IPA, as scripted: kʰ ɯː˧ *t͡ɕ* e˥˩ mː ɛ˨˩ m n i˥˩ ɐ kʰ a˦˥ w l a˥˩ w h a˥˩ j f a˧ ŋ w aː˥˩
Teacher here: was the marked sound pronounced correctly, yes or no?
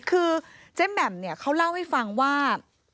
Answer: yes